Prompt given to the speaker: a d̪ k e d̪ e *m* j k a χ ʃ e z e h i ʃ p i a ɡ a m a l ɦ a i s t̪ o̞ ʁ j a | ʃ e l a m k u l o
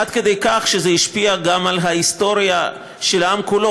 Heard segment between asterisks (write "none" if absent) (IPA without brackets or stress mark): none